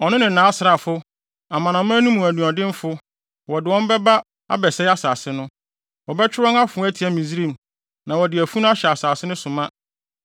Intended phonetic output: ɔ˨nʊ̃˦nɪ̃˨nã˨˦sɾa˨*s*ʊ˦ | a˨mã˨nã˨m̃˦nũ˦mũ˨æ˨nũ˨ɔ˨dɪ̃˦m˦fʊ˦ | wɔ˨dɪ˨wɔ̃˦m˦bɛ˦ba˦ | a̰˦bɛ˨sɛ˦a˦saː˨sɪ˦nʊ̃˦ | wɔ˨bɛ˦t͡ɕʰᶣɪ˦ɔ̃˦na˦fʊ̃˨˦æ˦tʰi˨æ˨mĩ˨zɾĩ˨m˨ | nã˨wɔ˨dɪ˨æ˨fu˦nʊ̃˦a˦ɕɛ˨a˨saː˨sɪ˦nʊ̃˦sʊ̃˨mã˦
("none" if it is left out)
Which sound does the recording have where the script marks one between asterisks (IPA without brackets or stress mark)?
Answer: f